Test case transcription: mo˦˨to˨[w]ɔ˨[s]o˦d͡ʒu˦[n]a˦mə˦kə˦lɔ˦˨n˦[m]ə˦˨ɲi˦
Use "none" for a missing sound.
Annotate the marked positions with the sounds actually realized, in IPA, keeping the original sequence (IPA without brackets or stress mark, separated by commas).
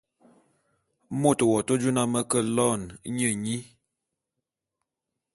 w, t, n, ɲ